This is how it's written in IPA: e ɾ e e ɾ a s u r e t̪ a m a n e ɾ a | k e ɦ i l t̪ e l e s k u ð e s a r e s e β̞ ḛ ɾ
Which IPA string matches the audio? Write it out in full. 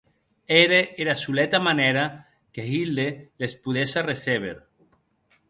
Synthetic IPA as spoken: e ɾ e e ɾ a s u l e t̪ a m a n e ɾ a | k e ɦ i l d̪ e l e s p u ð e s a r e s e β̞ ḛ ɾ